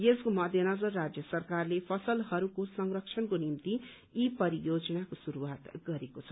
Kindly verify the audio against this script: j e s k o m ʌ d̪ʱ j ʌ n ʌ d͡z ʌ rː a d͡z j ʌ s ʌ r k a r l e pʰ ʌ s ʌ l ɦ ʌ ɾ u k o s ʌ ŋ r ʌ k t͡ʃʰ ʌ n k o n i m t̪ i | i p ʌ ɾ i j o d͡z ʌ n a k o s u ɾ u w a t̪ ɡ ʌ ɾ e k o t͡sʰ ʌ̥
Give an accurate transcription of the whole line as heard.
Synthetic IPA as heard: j e s k o m ʌ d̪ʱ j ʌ n ʌ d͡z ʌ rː a d͡z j ʌ s ʌ r k a r l e pʰ ʌ s ʌ l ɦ ʌ ɾ u k o s ʌ ŋ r ʌ k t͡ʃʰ ʌ n k o n i m t̪ i | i p ʌ ɾ i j o d͡z ʌ n a k o s u ɾ u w a t̪ ɡ ʌ ɾ e k o t͡sʰ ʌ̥